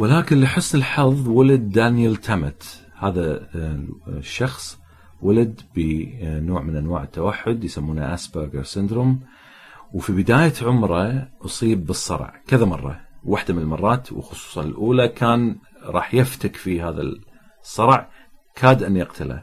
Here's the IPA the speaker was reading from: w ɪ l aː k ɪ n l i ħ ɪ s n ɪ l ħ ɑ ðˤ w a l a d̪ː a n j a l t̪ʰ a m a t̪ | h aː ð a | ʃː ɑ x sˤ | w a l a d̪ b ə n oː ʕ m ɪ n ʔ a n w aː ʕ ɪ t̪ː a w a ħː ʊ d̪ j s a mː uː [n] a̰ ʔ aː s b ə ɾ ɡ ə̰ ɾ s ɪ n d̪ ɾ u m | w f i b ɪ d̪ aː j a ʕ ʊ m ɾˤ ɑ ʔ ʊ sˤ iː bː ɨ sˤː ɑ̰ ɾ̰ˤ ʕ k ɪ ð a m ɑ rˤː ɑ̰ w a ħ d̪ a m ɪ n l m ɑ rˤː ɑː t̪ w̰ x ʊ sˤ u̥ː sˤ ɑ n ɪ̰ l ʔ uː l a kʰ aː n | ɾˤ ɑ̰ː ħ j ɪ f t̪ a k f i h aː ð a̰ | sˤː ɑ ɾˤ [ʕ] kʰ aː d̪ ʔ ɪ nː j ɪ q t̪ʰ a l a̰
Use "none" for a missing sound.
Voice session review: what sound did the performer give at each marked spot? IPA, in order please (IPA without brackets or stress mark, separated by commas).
n, ʕ